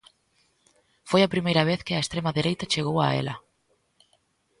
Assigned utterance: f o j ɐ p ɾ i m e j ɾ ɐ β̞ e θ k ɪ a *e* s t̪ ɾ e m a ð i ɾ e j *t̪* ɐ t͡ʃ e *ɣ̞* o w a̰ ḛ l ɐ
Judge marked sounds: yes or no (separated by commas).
yes, yes, yes